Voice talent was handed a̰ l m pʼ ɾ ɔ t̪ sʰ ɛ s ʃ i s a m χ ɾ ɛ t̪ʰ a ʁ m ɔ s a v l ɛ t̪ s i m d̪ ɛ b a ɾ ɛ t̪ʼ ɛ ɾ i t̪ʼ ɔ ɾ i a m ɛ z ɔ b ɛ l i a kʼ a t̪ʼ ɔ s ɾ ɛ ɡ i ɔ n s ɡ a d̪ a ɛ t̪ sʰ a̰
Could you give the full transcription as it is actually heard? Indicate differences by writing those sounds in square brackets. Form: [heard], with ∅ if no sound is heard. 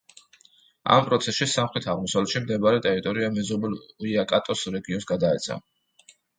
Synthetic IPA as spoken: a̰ [∅] m pʼ ɾ ɔ t̪ sʰ ɛ s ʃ i s a m χ ɾ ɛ t̪ʰ a ʁ m ɔ s a v l ɛ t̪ [ʃ] i m d̪ ɛ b a ɾ ɛ t̪ʼ ɛ ɾ i t̪ʼ ɔ ɾ i a m ɛ z ɔ b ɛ l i a kʼ a t̪ʼ ɔ s ɾ ɛ ɡ i ɔ n s ɡ a d̪ a ɛ t̪ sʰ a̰